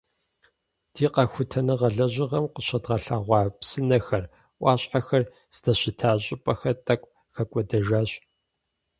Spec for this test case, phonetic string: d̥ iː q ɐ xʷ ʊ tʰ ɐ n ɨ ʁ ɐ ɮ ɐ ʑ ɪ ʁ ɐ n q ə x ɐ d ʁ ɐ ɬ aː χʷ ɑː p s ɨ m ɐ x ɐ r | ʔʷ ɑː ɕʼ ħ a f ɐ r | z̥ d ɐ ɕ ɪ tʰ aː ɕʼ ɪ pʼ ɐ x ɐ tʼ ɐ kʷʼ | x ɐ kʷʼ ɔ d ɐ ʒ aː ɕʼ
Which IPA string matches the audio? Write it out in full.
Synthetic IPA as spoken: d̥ iː q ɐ xʷ ʊ tʰ ɐ n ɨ ʁ ɐ ɮ ɐ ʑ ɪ ʁ ɐ m q ə ɕ ɐ d ʁ ɐ ɬ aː ʁʷ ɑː p s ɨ n ɐ x ɐ r | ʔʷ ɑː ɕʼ ħ a x ɐ r | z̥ d ɐ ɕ ɪ tʰ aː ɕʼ ɪ pʼ ɐ x ɐ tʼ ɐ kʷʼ | x ɐ kʷʼ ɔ d ɐ ʒ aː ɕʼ